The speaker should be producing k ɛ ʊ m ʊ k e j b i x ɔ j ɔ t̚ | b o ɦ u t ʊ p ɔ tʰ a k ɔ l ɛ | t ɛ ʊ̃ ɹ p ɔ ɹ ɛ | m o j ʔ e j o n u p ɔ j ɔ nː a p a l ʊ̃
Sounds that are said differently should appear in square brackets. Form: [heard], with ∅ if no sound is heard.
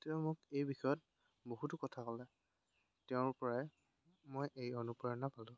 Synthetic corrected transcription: [t] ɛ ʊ m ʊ k e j b i x ɔ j ɔ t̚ | b o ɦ u t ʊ [k] ɔ tʰ a k ɔ l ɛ | t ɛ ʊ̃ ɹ p ɔ ɹ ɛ | m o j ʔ e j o n u p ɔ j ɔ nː a p a l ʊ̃